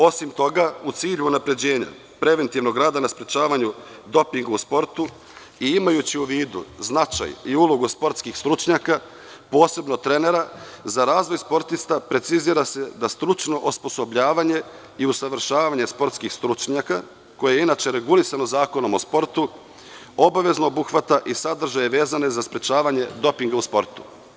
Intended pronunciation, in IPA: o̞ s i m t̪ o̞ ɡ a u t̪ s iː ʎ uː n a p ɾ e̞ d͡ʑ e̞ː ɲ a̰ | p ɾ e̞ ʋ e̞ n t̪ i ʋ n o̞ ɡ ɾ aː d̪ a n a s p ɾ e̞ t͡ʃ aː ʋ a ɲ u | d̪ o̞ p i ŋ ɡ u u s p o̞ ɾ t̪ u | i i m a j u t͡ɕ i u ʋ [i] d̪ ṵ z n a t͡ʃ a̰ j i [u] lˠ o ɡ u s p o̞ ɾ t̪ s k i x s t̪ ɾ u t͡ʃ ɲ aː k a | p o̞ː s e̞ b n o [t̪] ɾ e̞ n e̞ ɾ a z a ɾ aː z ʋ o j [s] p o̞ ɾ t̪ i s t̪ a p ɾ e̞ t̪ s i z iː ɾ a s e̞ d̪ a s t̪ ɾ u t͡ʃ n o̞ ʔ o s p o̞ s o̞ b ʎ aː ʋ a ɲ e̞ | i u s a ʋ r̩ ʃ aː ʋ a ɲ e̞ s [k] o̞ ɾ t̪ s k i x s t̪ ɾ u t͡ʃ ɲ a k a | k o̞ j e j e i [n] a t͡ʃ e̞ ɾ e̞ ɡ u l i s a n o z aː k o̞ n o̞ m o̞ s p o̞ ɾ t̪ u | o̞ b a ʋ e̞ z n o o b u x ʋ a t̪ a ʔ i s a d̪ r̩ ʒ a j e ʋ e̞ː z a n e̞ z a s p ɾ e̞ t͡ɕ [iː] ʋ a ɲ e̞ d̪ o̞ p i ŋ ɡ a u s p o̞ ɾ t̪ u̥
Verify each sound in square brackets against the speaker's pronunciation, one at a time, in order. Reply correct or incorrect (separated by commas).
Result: incorrect, correct, correct, correct, incorrect, correct, incorrect